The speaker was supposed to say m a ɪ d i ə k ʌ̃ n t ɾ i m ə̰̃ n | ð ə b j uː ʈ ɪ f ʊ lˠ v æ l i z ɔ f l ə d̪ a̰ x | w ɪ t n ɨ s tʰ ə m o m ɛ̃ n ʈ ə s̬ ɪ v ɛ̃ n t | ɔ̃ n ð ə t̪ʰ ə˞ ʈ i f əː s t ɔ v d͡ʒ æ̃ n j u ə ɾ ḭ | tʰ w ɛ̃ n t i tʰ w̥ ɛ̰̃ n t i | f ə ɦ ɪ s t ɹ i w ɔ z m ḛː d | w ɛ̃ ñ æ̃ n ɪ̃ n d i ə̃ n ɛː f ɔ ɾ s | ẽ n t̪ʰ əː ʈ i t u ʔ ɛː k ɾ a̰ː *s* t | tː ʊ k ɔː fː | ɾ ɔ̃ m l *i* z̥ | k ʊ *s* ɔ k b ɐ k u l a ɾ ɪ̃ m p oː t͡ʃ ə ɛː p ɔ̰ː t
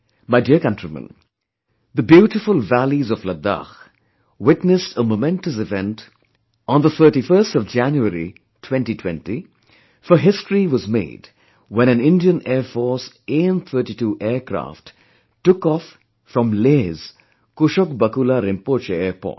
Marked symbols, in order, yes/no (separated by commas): no, no, no